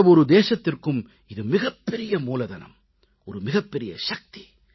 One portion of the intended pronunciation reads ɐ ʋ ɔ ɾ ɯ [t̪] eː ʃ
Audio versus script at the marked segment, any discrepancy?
yes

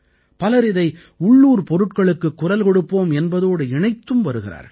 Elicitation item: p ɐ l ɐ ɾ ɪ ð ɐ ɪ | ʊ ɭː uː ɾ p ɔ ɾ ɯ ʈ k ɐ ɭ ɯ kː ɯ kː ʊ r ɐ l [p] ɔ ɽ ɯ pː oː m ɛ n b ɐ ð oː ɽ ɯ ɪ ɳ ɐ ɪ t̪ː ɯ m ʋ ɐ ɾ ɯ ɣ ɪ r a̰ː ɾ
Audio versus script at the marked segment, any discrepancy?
yes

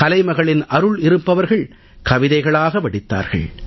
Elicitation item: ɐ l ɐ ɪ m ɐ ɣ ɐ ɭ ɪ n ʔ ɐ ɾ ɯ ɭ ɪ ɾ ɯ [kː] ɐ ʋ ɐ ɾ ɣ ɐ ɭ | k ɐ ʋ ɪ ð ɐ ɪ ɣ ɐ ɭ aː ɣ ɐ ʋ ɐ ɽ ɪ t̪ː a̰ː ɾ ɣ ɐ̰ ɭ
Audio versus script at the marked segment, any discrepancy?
yes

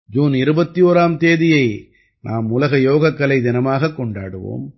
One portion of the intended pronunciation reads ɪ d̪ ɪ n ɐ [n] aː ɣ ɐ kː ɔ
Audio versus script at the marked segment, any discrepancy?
yes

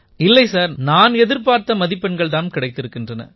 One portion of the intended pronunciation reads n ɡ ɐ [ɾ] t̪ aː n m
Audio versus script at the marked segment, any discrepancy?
yes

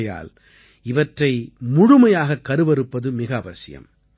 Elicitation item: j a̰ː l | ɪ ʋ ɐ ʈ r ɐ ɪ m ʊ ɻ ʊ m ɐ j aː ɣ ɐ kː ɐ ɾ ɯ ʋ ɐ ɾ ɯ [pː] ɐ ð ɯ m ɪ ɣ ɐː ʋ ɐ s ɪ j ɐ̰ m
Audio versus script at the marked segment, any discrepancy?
no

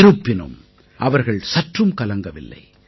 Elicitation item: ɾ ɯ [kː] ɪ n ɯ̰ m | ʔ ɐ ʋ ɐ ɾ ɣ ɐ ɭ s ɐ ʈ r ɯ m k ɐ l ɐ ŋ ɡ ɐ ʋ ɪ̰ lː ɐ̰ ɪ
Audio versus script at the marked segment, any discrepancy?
yes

